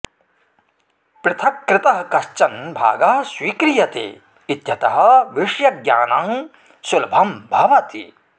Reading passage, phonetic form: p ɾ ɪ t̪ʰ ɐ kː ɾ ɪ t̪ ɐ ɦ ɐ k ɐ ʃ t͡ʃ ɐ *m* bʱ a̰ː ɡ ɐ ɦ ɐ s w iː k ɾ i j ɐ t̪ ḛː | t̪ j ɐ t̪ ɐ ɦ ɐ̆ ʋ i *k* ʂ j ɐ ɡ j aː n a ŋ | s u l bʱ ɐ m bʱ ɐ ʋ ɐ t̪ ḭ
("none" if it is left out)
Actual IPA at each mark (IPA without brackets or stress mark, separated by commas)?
n, none